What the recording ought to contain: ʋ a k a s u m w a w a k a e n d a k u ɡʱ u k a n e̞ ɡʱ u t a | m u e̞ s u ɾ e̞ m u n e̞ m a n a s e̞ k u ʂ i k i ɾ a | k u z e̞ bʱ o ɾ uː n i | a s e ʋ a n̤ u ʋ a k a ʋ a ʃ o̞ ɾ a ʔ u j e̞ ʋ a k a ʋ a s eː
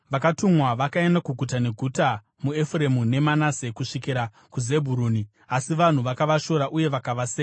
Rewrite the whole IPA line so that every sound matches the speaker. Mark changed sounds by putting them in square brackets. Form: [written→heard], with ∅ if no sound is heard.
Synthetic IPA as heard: ʋ a k a [s→t] u m w a [w→ʋ] a k a e n d a k u ɡʱ u [k→t] a n e̞ ɡʱ u t a | m u e̞ [s→f] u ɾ e̞ m u n e̞ m a n a s e̞ k u ʂ i k i ɾ a | k u z e̞ bʱ [o→u] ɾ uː n i | a s [e→i] ʋ a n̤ u ʋ a k a ʋ a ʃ o̞ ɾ a ʔ u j e̞ ʋ a k a ʋ a s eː

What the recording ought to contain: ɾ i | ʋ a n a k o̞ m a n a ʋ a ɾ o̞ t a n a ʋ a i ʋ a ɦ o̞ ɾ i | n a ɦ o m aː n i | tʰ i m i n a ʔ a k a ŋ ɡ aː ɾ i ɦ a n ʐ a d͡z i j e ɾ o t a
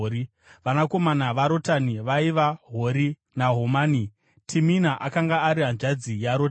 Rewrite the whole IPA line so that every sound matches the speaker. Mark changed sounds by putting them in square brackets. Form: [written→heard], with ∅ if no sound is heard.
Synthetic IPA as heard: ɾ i | ʋ a n a k o̞ m a n a ʋ a ɾ o̞ t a n [a→i] ʋ a i ʋ a ɦ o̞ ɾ i | n a ɦ o m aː n i | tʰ i m i n a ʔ a k a ŋ ɡ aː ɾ i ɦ a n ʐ a d͡z i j [e→a] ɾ o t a

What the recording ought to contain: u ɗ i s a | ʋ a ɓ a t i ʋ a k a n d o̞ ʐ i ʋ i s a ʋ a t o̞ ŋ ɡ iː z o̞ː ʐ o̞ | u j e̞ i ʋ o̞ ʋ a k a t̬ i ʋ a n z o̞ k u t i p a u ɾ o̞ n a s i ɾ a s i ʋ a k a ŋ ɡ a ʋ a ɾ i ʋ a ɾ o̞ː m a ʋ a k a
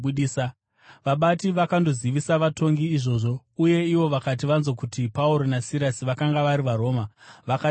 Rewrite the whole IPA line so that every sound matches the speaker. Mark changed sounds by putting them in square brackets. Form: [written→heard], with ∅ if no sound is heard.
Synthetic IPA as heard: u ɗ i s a | ʋ a ɓ a t i ʋ a k a n d o̞ [ʐ→z] i ʋ i s a ʋ a t o̞ ŋ ɡ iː [z→ʐ] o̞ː ʐ o̞ | u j e̞ i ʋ o̞ ʋ a k a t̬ i ʋ a n z o̞ k u t i p a u ɾ o̞ n a s i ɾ a s i ʋ a k a ŋ ɡ a ʋ a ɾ i ʋ a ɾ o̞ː m a ʋ a k a

